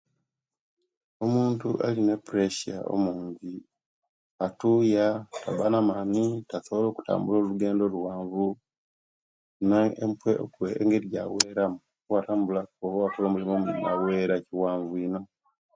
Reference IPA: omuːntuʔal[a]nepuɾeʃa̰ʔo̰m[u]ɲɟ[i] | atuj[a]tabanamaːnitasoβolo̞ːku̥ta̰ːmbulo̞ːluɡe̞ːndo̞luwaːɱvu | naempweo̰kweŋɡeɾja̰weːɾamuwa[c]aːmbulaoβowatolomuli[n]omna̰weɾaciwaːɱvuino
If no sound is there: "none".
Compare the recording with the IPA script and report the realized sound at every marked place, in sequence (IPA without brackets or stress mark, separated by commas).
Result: i, uː, i, a, t, m